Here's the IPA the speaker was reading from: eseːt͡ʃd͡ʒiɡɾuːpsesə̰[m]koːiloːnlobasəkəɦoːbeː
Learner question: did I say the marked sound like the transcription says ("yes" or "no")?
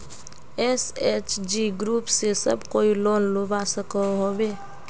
no